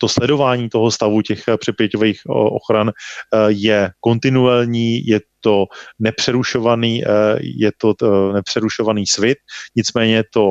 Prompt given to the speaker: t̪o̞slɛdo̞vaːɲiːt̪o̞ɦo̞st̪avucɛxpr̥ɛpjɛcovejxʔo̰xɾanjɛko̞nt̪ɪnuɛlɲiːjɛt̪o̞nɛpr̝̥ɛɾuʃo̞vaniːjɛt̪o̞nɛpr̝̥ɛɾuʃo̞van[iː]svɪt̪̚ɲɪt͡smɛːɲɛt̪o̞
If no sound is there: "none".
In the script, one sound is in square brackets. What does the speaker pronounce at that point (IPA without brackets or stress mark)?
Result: iː